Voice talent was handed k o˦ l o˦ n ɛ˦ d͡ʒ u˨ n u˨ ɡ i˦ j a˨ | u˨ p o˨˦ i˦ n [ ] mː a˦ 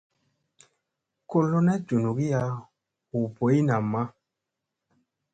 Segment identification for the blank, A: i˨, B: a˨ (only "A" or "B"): B